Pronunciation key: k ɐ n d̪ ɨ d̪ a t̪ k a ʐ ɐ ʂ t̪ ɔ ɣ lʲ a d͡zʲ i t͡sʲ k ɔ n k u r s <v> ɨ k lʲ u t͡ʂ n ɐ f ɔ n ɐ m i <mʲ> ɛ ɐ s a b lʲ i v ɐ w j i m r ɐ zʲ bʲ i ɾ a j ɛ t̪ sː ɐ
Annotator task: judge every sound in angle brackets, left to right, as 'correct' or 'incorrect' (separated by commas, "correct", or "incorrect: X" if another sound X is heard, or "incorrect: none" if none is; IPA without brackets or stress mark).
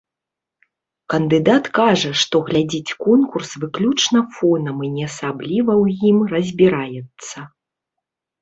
correct, incorrect: nʲ